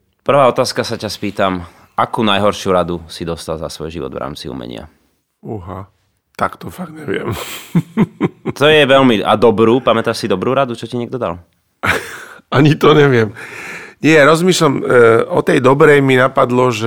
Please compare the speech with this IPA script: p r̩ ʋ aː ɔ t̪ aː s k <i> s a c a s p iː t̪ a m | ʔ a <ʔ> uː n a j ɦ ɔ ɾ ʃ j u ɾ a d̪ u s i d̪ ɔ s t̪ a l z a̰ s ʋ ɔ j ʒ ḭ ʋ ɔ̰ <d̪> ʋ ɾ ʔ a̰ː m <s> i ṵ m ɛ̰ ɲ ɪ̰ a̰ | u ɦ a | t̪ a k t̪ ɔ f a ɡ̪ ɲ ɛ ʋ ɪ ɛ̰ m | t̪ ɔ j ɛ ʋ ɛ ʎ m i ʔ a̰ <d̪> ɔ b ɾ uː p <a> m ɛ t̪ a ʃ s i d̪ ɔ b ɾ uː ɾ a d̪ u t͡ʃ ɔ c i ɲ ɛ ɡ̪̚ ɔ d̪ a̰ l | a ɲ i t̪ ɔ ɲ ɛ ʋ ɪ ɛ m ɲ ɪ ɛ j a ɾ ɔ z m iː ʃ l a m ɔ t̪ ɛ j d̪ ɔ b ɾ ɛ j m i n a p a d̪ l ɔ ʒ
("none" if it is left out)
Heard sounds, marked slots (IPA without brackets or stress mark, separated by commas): a, k, d̪, t͡s, d̪, a